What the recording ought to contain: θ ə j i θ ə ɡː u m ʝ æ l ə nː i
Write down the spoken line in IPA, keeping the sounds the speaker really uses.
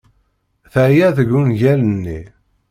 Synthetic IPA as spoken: θ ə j æ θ ə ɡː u n ʝ æ l ə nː i